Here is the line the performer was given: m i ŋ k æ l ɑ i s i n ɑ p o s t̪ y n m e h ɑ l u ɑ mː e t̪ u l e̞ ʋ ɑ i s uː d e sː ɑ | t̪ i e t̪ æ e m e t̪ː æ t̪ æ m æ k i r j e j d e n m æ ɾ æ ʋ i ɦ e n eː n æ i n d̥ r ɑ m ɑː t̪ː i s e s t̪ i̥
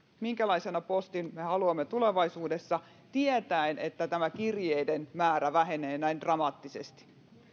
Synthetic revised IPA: m i ŋ k æ l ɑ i s e n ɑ p o s t̪ i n m e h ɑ l u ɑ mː e t̪ u l e̞ ʋ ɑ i s uː d e sː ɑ | t̪ i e t̪ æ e n e t̪ː æ t̪ æ m æ k i r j e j d e n m æː ɾ æ ʋ æ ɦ e n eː n æ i n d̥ r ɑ m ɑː t̪ː i s e s t̪ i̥